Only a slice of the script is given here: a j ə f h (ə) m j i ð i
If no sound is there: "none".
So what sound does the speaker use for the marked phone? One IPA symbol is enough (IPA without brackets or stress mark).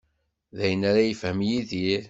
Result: ə